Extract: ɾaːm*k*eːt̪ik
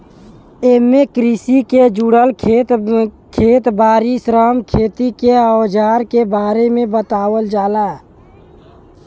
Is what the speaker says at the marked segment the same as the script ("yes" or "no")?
no